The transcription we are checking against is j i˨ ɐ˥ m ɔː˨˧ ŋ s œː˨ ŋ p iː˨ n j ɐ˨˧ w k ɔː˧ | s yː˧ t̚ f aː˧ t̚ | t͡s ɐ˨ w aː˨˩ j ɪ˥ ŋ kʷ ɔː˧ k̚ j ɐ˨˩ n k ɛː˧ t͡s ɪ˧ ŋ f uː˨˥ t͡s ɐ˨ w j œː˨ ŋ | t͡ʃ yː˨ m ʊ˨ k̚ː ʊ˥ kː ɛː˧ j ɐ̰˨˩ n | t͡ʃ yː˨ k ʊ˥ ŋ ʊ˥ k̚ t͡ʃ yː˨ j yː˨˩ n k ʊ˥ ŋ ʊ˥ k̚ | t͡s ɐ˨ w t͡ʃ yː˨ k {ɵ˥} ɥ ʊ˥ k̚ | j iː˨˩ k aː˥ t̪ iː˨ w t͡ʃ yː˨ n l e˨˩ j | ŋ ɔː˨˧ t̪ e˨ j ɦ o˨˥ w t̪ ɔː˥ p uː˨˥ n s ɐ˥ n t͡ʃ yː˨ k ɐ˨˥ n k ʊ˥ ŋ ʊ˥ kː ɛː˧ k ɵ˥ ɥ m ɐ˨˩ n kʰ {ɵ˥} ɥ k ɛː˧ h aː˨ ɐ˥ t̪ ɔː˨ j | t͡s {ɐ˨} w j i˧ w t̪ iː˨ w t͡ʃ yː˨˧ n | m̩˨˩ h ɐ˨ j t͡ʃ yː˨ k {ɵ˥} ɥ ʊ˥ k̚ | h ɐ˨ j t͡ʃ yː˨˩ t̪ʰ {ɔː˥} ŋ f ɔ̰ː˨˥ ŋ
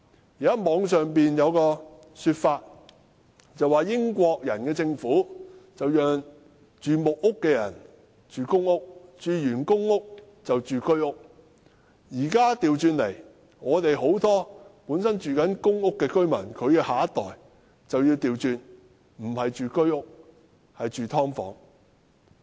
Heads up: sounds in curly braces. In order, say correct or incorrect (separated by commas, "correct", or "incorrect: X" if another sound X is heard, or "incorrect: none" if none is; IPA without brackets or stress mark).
correct, incorrect: ɵ˨˧, correct, correct, correct